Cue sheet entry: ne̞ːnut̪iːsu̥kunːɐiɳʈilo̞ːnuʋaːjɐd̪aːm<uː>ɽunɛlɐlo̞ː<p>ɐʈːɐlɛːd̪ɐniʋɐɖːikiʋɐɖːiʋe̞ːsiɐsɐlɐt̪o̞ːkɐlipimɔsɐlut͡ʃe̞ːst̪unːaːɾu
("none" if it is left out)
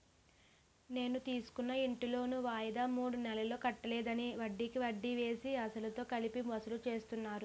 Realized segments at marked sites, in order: uː, k

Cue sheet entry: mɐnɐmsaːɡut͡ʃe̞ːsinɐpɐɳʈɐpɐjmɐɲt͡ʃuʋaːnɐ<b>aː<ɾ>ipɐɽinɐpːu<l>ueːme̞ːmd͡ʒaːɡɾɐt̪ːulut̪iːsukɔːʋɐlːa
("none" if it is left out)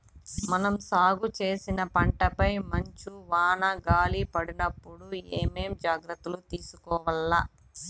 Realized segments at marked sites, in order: ɡ, l, ɽ

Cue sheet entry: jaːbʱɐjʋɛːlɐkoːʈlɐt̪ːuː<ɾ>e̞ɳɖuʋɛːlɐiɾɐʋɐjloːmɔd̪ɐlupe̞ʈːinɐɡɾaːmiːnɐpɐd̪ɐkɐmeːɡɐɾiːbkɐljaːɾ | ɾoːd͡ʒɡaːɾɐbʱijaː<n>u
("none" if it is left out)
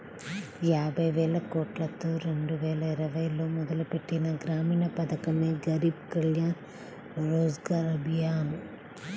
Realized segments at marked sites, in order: ɾ, n

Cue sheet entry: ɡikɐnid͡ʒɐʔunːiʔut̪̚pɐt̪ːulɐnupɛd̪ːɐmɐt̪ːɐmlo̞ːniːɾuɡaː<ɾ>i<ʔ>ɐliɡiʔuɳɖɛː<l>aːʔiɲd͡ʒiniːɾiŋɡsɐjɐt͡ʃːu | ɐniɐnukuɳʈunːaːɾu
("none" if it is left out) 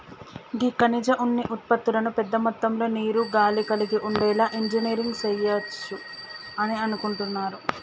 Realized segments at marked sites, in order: l, k, l

